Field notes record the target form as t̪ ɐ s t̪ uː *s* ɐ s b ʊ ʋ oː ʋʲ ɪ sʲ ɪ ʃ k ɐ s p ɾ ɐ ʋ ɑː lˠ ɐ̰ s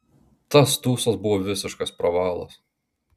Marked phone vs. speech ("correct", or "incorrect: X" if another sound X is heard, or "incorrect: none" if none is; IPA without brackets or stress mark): correct